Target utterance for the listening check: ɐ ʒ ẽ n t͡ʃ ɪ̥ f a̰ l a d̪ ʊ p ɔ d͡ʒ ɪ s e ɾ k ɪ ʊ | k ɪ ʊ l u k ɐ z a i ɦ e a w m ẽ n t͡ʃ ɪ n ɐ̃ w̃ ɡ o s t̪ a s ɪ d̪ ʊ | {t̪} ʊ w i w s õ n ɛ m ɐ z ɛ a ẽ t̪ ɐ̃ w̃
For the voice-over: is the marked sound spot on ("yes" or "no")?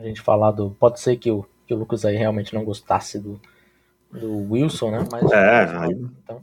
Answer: no